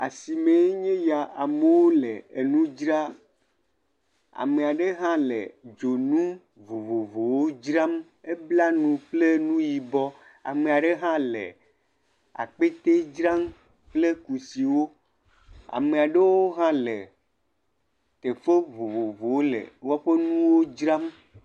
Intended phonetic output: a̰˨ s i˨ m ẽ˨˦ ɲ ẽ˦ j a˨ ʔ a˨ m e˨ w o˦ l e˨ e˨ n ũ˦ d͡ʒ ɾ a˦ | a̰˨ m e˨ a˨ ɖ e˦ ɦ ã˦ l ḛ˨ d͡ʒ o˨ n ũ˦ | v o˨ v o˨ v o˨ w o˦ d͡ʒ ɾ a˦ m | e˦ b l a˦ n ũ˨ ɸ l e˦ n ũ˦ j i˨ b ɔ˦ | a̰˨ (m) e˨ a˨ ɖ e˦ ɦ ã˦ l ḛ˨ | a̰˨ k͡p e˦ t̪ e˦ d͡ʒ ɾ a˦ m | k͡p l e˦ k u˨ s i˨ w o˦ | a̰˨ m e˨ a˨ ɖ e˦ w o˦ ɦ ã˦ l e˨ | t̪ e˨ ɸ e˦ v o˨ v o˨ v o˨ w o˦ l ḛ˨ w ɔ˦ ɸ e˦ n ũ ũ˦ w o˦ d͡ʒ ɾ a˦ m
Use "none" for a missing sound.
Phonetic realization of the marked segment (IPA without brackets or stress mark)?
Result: m